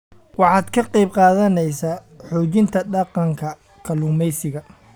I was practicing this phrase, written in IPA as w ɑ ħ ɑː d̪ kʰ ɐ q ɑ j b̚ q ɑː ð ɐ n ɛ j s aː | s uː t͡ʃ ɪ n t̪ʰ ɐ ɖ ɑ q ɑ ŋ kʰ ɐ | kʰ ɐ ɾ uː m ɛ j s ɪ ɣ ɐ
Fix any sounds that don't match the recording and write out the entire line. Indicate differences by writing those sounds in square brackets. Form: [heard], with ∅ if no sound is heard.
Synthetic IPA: w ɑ ħ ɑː d̪ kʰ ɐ q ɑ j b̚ q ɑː ð ɐ n ɛ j s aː | [ħ] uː t͡ʃ ɪ n t̪ʰ ɐ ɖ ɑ q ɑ ŋ kʰ ɐ | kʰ ɐ [l] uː m ɛ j s ɪ ɣ ɐ